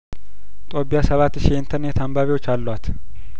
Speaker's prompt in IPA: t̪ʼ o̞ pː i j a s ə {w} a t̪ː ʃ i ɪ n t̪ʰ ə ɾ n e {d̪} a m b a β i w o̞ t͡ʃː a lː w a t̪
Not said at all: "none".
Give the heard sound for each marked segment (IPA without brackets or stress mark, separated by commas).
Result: β, t̪